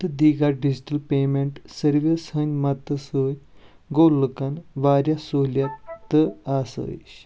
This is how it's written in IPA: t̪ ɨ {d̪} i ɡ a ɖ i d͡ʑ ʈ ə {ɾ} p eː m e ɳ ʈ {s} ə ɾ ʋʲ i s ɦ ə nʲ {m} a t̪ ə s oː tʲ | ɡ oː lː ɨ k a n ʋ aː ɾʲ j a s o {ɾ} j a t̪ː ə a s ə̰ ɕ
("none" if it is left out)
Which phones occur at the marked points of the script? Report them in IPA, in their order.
d̪, l, s, m, l

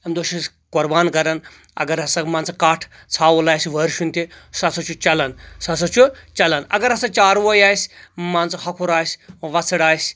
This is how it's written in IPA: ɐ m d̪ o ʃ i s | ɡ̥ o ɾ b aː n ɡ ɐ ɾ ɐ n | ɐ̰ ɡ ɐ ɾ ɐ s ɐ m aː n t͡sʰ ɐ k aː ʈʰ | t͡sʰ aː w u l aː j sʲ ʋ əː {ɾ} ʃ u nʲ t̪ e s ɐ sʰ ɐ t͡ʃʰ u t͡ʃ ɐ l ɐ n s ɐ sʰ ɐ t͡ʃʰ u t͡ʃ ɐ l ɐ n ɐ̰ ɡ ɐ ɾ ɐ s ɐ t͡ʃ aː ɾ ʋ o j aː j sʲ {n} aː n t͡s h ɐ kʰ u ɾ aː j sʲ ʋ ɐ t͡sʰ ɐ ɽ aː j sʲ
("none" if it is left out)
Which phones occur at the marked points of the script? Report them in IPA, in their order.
ɾ, m

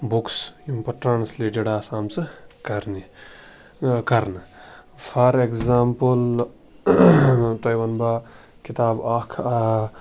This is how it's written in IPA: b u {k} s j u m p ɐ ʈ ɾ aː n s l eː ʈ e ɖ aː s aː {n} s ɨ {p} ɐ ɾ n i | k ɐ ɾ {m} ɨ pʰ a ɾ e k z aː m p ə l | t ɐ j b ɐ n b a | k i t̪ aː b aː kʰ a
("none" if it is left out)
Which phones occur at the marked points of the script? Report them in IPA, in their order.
k, m, k, n

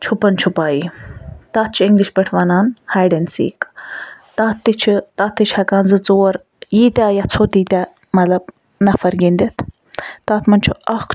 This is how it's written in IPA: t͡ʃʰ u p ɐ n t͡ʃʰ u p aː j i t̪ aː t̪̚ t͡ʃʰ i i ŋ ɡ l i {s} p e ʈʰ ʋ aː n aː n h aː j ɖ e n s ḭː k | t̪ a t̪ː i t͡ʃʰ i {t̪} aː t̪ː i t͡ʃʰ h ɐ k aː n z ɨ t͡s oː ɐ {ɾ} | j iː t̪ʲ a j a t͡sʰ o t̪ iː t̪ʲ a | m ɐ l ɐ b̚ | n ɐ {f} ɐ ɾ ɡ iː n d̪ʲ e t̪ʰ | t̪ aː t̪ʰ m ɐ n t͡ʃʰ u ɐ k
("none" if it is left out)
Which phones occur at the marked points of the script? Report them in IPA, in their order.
ʃ, t̪, ɾ, f

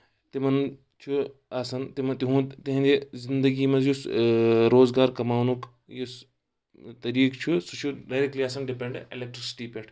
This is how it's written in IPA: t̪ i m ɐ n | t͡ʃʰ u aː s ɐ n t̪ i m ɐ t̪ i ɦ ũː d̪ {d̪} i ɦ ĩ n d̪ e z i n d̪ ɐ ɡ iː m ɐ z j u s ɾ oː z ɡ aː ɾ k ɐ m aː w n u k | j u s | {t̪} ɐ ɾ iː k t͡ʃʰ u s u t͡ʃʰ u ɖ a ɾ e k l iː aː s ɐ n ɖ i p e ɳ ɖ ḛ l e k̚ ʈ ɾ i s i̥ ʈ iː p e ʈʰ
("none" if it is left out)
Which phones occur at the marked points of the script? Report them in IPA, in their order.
t̪, t̪

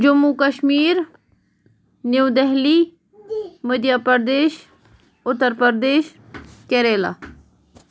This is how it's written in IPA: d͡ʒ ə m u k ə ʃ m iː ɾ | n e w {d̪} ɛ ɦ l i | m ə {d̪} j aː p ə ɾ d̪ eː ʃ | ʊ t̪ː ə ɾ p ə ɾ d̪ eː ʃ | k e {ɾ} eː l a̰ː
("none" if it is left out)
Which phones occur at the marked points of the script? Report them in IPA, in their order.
d̪, d̪, ɾ

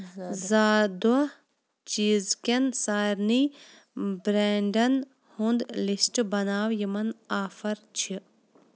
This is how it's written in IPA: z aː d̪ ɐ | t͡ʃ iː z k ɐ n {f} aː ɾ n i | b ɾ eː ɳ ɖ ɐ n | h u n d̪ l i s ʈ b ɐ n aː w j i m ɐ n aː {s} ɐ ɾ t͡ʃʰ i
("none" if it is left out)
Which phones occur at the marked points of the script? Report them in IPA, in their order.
s, f

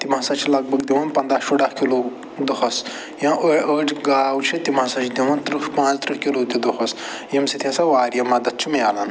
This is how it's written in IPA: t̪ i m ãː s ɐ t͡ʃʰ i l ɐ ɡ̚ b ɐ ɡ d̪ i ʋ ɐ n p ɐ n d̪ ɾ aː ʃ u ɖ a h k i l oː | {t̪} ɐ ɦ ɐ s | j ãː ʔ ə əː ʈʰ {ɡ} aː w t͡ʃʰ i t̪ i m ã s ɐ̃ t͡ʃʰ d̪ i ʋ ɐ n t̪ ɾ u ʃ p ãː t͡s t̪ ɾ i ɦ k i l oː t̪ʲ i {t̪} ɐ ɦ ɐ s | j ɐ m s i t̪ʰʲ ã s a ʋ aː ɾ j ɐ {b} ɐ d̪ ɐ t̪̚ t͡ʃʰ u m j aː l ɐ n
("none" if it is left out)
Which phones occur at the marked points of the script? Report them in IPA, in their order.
d̪, ɡ, d̪, m

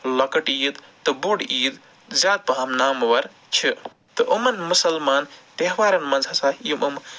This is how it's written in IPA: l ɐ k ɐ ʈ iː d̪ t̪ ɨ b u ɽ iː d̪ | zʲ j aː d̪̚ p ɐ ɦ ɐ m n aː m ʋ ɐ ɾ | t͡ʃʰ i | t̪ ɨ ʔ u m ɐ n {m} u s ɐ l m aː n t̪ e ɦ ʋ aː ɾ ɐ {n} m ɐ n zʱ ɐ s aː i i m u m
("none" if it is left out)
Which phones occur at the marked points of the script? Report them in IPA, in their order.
m, n

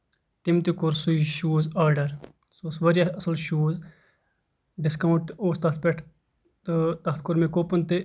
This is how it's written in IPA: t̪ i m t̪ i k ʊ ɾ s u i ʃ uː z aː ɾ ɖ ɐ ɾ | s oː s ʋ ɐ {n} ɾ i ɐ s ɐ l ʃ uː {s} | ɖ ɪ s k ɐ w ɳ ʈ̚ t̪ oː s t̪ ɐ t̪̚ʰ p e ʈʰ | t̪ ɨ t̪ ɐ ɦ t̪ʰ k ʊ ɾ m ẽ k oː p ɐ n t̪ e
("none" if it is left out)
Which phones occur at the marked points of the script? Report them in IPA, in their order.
none, z

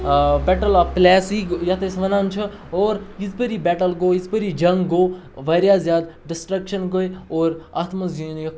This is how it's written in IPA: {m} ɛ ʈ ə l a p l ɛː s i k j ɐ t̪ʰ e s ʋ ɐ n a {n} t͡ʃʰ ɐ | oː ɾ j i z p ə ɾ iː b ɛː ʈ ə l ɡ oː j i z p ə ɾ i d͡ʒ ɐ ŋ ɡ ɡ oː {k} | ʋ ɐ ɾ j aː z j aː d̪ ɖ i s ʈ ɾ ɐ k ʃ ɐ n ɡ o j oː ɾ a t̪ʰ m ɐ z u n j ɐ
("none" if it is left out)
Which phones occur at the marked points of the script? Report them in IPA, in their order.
b, n, none

